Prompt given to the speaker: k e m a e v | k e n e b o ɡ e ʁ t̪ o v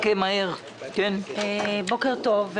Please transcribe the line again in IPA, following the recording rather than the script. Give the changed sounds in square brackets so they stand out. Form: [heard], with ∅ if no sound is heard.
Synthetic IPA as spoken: k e m a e [ʁ] | k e n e b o [k] e ʁ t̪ o v

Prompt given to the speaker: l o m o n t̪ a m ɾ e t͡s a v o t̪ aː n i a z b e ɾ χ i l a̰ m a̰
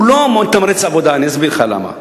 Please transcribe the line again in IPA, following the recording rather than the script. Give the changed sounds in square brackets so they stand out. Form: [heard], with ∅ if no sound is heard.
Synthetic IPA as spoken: l o m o n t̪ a m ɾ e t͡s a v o [d̪] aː n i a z b [i] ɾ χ [a] l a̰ m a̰

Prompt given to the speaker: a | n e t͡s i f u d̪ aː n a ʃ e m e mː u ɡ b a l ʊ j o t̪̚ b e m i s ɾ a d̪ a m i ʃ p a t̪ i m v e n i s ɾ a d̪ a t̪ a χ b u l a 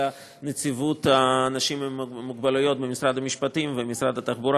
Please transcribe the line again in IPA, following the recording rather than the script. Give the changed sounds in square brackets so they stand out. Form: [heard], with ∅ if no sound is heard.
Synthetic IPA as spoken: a | n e t͡s i [v] u [t̪] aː n a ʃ [i] m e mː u ɡ b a l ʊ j o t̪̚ b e m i s ɾ a d̪ a m i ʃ p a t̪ i m v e [m] i s ɾ a d̪ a t̪ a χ b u [ɾ] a

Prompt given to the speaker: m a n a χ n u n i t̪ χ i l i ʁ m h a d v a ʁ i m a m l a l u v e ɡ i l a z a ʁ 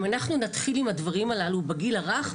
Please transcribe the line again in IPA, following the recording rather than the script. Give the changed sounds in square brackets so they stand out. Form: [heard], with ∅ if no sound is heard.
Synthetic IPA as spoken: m a n a χ n u n [a] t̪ χ i l i [∅] m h a d v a ʁ i m a [∅] l a l u [b] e ɡ i l a [ʁ] a [χ]

